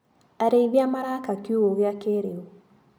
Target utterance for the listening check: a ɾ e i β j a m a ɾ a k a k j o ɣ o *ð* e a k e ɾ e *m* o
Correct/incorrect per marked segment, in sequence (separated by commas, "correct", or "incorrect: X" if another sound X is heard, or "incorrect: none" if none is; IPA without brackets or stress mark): incorrect: ɣ, incorrect: none